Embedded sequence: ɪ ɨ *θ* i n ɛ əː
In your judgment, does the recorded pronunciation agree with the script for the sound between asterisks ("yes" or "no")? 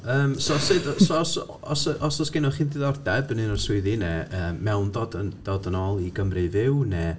no